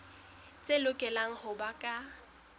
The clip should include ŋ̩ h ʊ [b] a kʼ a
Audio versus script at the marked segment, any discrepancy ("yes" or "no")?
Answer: no